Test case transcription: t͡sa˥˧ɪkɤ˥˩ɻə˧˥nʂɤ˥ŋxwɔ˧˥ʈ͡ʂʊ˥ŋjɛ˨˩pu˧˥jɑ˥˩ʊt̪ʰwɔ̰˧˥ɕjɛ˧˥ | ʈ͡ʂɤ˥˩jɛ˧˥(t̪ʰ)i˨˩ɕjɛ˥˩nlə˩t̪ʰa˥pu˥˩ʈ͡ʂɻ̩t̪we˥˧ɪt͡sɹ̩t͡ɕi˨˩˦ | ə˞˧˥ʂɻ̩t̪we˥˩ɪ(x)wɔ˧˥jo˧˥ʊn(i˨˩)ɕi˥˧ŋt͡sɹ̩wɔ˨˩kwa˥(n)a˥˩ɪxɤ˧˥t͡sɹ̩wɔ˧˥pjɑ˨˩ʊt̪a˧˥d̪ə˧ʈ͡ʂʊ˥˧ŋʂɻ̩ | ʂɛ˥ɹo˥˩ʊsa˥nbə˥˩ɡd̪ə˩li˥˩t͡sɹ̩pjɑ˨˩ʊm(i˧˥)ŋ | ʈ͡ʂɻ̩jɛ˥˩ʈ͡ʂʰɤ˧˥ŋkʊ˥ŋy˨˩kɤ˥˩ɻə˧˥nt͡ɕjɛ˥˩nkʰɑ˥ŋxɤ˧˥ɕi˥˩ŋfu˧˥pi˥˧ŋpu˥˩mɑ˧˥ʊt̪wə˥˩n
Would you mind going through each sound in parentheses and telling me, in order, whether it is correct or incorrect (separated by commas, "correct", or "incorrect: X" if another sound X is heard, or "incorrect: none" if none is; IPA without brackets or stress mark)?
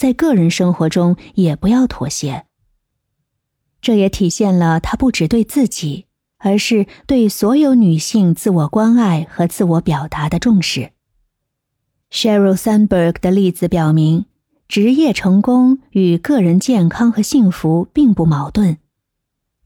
correct, incorrect: s, incorrect: y˨˩, correct, correct